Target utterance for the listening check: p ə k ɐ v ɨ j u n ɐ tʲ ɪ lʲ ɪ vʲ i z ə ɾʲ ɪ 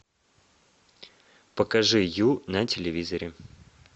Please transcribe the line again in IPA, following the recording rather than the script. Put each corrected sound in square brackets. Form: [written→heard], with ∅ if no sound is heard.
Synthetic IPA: p ə k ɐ [v→ʐ] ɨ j u n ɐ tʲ ɪ lʲ ɪ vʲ i z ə ɾʲ ɪ